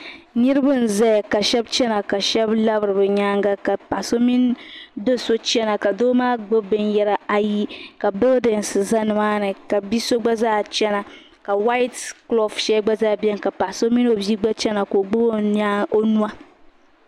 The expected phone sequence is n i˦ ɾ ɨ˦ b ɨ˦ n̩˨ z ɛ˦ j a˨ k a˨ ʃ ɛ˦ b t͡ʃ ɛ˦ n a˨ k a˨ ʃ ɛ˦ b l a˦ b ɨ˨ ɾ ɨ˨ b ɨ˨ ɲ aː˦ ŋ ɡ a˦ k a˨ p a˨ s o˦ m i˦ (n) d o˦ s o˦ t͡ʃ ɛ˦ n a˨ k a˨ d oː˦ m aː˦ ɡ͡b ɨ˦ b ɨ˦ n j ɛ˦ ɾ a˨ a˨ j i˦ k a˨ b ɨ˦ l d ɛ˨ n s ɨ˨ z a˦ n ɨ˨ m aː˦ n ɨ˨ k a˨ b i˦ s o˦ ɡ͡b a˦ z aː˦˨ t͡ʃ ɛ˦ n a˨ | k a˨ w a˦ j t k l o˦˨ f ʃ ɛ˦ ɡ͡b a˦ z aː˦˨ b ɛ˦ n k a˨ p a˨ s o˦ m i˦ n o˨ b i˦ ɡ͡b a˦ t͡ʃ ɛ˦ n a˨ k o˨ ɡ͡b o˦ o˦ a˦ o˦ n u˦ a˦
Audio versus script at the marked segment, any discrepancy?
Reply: no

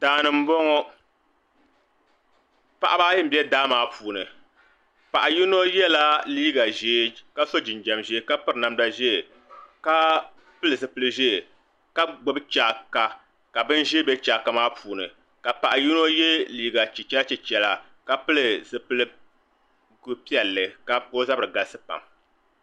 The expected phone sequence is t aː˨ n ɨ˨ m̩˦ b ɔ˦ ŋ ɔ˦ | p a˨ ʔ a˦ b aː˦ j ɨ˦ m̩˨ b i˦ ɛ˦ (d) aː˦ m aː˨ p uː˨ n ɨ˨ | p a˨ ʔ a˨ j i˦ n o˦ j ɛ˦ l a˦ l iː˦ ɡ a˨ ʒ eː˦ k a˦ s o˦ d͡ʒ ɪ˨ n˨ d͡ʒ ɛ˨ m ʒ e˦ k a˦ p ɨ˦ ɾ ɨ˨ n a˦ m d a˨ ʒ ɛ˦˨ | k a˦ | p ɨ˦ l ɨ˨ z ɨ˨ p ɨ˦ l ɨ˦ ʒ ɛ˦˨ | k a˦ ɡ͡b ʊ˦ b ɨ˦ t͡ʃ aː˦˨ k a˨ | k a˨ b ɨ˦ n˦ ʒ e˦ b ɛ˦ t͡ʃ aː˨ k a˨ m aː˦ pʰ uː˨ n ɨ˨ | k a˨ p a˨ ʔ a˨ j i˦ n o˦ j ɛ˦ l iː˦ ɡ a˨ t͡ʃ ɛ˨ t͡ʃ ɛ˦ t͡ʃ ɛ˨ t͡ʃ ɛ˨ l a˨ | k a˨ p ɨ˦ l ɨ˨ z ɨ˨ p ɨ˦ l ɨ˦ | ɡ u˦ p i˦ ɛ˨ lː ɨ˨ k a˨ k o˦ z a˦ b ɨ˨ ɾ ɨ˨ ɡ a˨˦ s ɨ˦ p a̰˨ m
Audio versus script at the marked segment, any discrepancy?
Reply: no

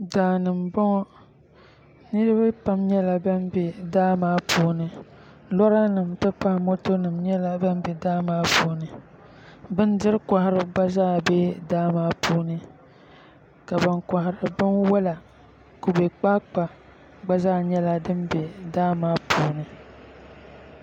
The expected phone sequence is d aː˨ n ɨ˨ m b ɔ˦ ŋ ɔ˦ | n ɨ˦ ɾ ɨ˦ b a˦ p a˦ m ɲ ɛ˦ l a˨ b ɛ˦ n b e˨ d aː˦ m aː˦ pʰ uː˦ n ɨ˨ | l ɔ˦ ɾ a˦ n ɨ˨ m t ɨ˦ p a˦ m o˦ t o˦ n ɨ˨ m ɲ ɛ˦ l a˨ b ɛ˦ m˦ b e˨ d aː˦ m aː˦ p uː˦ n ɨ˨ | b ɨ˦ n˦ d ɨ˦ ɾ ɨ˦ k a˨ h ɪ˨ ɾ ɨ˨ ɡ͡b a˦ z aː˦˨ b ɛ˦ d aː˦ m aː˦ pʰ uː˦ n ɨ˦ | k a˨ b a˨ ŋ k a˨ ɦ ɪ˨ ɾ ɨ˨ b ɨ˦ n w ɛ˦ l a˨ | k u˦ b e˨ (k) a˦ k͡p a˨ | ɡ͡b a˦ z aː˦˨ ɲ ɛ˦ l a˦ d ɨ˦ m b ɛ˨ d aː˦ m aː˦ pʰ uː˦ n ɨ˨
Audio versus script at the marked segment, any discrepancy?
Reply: yes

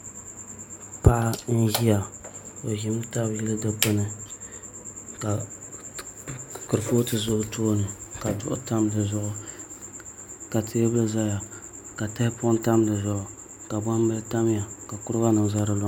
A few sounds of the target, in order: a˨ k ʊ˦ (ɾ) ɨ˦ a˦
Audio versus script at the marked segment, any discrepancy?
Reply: no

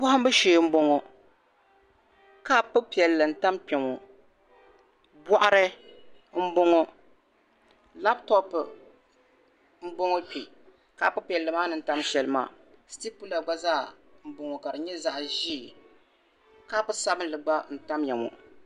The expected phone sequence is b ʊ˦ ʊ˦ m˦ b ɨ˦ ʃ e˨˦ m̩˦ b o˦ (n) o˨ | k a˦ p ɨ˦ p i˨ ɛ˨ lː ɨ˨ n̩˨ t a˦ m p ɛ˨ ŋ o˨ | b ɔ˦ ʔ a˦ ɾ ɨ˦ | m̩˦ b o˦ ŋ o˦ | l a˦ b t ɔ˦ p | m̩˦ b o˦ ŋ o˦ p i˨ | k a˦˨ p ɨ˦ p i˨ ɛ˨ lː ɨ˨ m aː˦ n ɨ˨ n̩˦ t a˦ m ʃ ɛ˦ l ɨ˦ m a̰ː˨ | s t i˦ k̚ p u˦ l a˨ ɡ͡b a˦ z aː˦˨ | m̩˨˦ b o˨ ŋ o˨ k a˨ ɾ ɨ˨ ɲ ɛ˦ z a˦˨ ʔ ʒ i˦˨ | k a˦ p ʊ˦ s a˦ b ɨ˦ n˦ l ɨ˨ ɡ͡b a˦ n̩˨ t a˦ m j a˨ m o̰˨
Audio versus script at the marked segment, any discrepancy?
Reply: yes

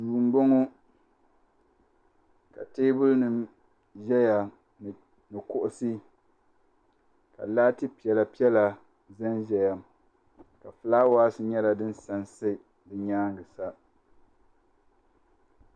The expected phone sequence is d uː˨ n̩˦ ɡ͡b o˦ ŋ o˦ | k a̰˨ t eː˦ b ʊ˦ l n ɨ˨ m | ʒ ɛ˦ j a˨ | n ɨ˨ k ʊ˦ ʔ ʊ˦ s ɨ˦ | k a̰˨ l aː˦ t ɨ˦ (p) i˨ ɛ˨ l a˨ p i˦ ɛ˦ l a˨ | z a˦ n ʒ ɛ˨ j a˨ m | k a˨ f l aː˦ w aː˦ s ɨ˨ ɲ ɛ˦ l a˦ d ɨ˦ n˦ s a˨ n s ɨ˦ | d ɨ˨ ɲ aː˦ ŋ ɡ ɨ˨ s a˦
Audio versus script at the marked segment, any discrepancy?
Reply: no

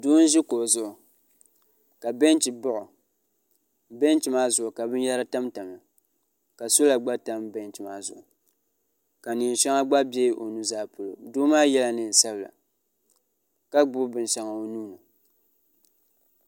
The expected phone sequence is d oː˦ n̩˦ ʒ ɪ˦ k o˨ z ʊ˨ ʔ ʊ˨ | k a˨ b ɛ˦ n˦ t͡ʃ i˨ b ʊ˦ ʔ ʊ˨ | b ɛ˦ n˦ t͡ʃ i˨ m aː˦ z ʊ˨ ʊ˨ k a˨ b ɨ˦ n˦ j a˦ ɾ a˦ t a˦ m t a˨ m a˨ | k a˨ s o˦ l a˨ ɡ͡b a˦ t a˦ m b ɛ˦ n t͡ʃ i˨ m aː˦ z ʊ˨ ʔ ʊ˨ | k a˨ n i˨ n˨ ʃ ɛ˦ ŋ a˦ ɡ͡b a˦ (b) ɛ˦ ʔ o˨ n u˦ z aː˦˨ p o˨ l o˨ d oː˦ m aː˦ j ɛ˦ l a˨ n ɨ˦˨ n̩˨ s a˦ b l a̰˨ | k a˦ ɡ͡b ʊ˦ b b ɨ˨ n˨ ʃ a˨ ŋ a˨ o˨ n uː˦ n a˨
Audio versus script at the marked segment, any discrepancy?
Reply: no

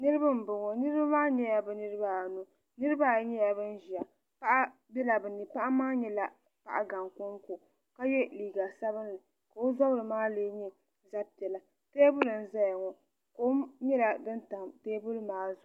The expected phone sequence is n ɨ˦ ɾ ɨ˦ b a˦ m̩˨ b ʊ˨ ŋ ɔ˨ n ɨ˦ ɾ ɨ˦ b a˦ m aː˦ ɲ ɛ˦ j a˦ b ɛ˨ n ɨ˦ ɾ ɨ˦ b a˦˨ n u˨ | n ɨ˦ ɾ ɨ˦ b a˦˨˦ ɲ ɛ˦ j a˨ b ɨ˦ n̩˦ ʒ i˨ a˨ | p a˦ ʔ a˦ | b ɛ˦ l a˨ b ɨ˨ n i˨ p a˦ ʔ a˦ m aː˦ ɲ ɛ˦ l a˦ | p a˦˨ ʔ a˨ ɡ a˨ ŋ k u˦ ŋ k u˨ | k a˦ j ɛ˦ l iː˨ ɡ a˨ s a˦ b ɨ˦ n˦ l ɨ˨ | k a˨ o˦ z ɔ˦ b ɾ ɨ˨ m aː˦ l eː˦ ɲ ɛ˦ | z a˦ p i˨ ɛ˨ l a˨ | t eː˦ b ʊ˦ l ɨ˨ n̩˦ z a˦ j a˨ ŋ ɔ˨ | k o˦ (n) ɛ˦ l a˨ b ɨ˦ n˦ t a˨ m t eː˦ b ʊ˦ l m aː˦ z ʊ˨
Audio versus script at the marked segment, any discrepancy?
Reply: yes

